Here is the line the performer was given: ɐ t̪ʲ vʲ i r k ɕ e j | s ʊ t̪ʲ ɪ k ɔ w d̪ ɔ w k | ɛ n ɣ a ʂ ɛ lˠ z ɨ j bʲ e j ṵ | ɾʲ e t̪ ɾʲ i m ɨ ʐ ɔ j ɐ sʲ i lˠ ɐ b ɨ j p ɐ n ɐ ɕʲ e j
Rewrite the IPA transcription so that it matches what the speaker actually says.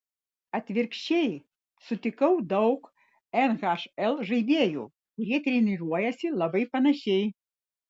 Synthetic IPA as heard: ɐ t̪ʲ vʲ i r k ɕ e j | s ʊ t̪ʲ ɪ k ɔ w d̪ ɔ w k | ɛ n ɣ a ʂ ɛ lˠ ʐ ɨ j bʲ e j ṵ | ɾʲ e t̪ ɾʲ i n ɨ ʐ ɔ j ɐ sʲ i lˠ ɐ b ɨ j p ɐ n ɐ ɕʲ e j

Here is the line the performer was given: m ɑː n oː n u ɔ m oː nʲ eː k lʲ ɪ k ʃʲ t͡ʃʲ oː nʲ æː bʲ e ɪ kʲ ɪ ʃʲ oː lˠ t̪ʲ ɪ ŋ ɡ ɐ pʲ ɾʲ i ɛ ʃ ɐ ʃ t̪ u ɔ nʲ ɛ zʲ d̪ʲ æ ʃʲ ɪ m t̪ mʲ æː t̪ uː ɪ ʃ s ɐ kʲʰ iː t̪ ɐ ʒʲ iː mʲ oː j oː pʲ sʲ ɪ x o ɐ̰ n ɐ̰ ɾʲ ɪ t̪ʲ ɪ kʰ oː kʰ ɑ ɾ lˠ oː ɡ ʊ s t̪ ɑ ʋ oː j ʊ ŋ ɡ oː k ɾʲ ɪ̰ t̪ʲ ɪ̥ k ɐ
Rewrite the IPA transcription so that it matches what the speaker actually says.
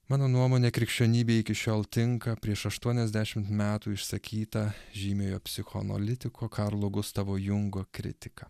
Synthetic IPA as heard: m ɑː n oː n u ɔ m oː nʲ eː k ɾʲ ɪ k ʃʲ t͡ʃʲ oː nʲ iː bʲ e ɪ kʲ ɪ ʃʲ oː lˠ t̪ʲ ɪ ŋ k ɐ pʲ ɾʲ i ɛ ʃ ɐ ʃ t̪ u ɔ nʲ ɛ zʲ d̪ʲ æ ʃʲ ɪ m t̪ mʲ æː t̪ uː ɪ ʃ s ɐ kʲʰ iː t̪ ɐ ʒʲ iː mʲ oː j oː pʲ sʲ ɪ x o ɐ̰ n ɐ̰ lʲ ɪ t̪ʲ ɪ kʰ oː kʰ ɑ ɾ lˠ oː ɡ ʊ s t̪ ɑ ʋ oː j ʊ ŋ ɡ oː k ɾʲ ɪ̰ t̪ʲ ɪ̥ k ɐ

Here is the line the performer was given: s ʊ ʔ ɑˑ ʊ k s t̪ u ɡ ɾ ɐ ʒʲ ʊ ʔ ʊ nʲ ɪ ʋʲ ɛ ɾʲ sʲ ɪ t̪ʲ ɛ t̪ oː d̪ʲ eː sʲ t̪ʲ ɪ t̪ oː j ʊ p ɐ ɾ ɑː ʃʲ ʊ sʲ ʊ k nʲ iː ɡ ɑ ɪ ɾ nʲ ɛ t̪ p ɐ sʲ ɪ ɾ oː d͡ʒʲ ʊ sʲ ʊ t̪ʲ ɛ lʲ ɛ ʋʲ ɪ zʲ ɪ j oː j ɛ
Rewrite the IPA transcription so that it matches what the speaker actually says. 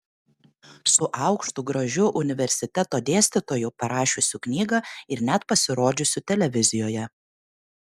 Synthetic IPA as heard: s ʊ ʔ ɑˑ ʊ k ʃ t̪ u ɡ ɾ ɐ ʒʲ ʊ ʔ ʊ nʲ ɪ ʋʲ ɛ ɾʲ sʲ ɪ t̪ʲ ɛ t̪ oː d̪ʲ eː sʲ t̪ʲ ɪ t̪ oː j ʊ p ɐ ɾ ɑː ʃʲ ʊ sʲ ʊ k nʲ iː ɡ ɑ ɪ ɾ nʲ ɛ t̪ p ɐ sʲ ɪ ɾ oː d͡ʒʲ ʊ sʲ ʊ t̪ʲ ɛ lʲ ɛ ʋʲ ɪ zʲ ɪ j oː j ɛ

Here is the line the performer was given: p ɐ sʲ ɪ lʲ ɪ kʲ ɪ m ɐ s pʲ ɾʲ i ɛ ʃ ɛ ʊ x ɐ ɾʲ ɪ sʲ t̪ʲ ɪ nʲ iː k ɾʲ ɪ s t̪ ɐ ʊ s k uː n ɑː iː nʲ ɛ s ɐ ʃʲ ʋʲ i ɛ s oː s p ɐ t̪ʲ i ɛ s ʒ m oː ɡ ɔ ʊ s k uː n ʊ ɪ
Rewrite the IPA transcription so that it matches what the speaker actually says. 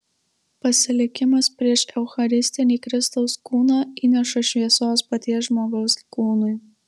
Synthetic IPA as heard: p ɐ sʲ ɪ lʲ ɪ kʲ ɪ m ɐ s pʲ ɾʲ i ɛ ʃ ɛ ʊ x ɐ ɾʲ ɪ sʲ t̪ʲ ɪ nʲ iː k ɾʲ ɪ s t̪ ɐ ʊ s k uː n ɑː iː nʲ ɛ ʃ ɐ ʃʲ ʋʲ i ɛ s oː s p ɐ t̪ʲ i ɛ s ʒ m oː ɡ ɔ ʊ s k uː n ʊ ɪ

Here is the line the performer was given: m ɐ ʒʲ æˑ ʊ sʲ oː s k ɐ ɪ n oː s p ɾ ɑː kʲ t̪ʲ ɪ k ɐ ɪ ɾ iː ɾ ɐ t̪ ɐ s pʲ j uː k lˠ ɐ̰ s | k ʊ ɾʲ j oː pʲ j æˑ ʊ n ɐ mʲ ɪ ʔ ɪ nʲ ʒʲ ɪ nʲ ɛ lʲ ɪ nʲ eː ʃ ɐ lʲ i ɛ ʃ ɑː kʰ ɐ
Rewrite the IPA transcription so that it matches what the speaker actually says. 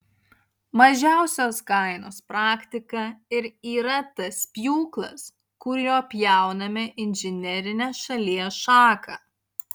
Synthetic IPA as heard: m ɐ ʒʲ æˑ ʊ sʲ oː s k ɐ ɪ n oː s p ɾ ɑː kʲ t̪ʲ ɪ k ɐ ɪ ɾ iː ɾ ɐ t̪ ɐ s pʲ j uː k lˠ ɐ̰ s | k ʊ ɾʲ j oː pʲ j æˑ ʊ n ɐ mʲ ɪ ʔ ɪ nʲ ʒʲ ɪ nʲ ɛ ɾʲ ɪ nʲ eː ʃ ɐ lʲ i ɛ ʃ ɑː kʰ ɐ

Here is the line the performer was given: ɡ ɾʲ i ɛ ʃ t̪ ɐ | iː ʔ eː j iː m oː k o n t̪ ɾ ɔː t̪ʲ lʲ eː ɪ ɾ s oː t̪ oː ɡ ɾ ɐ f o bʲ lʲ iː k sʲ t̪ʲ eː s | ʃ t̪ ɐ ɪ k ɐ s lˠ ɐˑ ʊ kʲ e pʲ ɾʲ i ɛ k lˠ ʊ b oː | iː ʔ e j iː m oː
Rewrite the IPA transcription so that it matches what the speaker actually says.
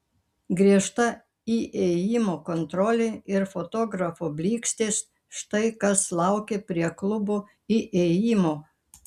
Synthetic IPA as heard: ɡ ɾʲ i ɛ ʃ t̪ ɐ | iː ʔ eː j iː m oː k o n t̪ ɾ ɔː lʲ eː ɪ ɾ f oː t̪ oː ɡ ɾ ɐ f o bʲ lʲ iː k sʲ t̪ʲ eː s | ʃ t̪ ɐ ɪ k ɐ s lˠ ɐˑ ʊ kʲ e pʲ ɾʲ i ɛ k lˠ ʊ b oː | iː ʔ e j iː m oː

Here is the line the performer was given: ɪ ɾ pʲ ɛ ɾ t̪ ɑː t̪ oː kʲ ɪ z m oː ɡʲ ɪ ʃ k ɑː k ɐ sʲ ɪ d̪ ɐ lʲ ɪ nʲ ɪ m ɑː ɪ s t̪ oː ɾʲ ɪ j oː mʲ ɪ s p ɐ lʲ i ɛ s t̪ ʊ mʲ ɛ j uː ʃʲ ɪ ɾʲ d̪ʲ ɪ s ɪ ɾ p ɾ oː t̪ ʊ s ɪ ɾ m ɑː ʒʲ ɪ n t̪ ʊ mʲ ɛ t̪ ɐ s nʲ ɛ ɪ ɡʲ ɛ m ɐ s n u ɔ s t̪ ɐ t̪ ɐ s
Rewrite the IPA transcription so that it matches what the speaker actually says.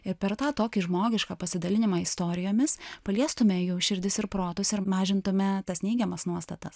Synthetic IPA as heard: ɪ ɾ pʲ ɛ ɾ t̪ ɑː t̪ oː kʲ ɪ ʒ m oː ɡʲ ɪ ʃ k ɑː p ɐ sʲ ɪ d̪ ɐ lʲ ɪ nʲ ɪ m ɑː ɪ s t̪ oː ɾʲ ɪ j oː mʲ ɪ s p ɐ lʲ i ɛ s t̪ ʊ mʲ ɛ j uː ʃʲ ɪ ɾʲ d̪ʲ ɪ s ɪ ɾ p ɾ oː t̪ ʊ s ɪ ɾ m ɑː ʒʲ ɪ n t̪ ʊ mʲ ɛ t̪ ɐ s nʲ ɛ ɪ ɡʲ ɛ m ɐ s n u ɔ s t̪ ɐ t̪ ɐ s

